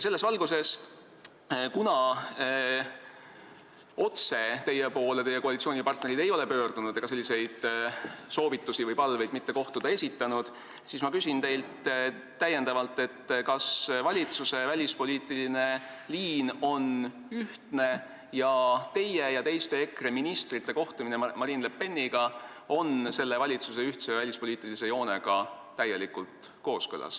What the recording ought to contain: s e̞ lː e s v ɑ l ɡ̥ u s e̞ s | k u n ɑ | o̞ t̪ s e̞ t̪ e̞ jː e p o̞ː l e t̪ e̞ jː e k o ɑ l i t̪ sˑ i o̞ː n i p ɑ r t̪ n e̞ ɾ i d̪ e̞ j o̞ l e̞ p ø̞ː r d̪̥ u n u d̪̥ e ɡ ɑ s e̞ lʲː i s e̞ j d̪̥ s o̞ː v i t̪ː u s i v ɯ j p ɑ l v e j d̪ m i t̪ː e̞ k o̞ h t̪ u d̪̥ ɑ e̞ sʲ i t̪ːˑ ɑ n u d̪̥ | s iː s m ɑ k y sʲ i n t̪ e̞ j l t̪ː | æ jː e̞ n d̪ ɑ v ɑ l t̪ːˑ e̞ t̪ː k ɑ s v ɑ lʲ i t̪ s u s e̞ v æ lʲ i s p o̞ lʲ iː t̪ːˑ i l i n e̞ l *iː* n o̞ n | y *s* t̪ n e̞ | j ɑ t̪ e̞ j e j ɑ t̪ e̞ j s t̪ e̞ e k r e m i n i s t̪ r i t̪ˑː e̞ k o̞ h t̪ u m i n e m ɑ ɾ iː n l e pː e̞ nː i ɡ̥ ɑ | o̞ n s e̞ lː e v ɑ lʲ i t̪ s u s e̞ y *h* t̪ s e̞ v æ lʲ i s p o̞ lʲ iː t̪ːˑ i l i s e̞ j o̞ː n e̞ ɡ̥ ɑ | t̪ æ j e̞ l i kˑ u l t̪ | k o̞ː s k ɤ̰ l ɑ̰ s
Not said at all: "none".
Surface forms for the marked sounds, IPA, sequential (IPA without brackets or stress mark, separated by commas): iː, h, h